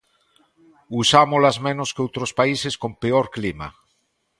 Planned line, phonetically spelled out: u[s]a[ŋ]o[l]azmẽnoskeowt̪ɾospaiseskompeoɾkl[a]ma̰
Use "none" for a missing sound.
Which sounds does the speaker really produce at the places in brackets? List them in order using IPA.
s, m, l, i

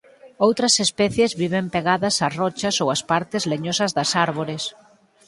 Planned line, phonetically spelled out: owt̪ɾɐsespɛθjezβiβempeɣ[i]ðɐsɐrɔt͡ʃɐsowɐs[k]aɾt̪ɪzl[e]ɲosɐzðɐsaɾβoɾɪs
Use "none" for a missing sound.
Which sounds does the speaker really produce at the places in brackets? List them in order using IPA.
a, p, e

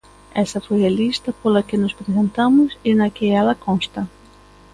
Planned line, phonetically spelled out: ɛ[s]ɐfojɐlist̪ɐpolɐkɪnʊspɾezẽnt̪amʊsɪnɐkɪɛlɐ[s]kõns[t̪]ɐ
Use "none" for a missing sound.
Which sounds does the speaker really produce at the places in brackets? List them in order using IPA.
s, none, t̪

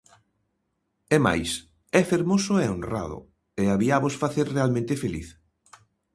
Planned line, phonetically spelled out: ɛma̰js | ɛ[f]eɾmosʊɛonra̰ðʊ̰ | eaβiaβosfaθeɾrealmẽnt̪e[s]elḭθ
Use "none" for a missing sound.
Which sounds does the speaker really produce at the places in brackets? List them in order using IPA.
f, f

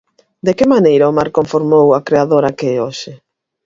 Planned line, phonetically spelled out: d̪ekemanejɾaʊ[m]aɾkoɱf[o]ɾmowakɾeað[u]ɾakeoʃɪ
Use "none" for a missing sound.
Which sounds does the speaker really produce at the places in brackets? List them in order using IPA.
m, o, o

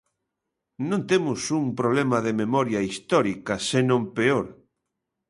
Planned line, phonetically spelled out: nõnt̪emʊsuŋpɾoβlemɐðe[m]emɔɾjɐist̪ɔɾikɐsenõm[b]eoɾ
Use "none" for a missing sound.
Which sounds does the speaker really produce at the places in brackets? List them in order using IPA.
m, p

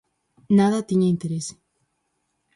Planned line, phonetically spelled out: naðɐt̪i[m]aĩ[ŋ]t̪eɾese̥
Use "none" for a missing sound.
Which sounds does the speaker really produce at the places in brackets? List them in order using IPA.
ɲ, n

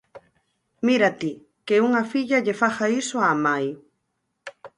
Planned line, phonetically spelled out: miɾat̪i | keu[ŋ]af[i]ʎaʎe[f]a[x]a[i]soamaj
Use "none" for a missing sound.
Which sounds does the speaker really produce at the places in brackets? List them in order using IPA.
ŋ, i, f, x, i

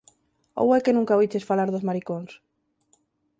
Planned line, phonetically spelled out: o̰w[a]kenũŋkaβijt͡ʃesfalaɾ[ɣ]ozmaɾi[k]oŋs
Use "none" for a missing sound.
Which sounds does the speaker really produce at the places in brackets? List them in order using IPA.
ɛ, ð, k

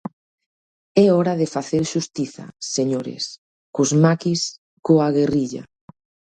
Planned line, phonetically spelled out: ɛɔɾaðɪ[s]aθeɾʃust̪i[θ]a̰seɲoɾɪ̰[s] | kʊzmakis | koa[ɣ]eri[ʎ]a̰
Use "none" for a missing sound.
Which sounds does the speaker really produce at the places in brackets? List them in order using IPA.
f, θ, s, ɣ, ʎ

